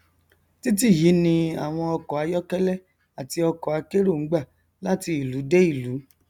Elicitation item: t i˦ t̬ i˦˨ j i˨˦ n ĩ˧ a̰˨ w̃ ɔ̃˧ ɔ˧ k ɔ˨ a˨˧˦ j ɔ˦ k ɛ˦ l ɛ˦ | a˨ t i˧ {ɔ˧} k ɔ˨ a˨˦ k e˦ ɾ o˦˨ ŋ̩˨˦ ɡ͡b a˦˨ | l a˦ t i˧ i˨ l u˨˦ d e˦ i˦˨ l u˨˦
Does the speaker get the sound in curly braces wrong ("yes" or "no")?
no